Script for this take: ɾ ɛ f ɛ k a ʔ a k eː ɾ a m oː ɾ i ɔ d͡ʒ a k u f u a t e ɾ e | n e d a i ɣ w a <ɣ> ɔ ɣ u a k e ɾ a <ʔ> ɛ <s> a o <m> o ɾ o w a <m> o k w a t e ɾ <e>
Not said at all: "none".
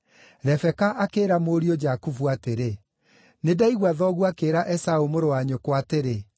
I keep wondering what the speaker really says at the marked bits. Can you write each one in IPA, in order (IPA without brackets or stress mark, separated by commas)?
ð, ʔ, s, m, ɲ, e